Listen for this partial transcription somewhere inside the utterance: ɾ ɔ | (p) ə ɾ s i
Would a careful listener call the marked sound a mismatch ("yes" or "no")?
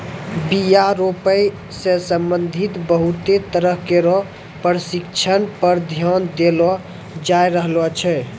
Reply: no